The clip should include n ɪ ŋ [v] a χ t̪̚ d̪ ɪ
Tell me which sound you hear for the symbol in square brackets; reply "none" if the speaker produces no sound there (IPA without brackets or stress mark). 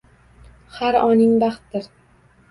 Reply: b